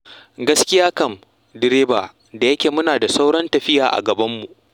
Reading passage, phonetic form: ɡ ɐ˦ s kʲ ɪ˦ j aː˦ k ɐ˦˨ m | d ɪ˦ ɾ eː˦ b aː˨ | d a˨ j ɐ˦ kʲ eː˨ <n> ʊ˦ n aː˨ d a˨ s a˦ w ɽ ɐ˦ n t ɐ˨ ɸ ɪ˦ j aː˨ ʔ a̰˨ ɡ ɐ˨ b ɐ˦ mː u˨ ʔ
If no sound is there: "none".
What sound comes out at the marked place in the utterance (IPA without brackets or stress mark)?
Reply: m